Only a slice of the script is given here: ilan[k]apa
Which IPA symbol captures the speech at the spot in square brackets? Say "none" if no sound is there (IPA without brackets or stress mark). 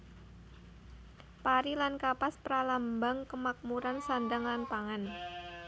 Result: k